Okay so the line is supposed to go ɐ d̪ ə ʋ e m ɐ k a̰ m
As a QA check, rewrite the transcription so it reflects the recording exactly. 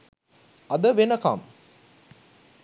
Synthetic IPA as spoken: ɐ d̪ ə ʋ e n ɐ k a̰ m

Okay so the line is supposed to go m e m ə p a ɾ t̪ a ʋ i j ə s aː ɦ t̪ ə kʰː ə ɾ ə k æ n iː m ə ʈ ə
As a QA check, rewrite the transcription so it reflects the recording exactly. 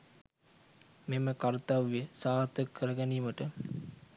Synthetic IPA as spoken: m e m ə k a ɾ t̪ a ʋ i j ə s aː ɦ t̪ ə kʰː ə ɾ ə ɡ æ n iː m ə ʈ ə

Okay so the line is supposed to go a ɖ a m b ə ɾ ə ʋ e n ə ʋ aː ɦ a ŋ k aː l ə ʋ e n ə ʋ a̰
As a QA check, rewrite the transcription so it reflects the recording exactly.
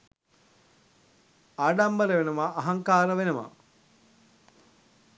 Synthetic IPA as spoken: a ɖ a m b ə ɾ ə ʋ e n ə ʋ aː ɦ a ŋ k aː ɾ ə ʋ e n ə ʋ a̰

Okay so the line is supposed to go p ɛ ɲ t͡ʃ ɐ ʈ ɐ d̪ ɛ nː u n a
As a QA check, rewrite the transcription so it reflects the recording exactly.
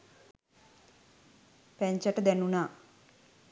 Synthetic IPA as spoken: p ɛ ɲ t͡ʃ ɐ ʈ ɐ d̪ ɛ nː u n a

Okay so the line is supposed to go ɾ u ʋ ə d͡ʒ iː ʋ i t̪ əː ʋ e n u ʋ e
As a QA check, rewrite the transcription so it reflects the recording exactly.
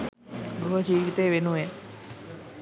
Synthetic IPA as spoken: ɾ u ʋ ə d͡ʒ iː ʋ i t̪ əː ʋ e n u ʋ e

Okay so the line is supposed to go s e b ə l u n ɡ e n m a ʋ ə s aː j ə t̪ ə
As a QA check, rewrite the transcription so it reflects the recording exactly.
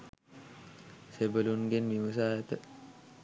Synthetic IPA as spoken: s e b ə l u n ɡ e n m i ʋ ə s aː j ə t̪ ə

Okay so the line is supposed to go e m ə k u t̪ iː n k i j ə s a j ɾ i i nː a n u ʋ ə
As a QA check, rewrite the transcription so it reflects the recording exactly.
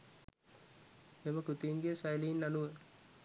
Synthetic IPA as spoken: e m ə k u t̪ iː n ɡ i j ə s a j l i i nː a n u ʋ ə

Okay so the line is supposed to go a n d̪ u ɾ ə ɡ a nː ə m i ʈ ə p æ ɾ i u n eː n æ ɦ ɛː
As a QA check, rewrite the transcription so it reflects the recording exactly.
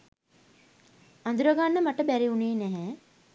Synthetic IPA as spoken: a n d̪ u ɾ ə ɡ a nː ə m a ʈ ə b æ ɾ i u n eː n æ ɦ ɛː

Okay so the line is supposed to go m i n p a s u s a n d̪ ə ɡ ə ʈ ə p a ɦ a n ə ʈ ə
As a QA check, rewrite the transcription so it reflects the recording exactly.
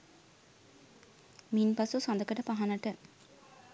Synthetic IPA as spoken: m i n p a s u s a n d̪ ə k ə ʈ ə p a ɦ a n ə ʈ ə

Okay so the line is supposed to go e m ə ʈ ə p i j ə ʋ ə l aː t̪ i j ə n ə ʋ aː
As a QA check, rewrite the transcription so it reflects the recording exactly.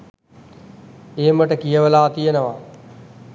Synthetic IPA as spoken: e m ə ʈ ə k i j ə ʋ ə l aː t̪ i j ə n ə ʋ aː

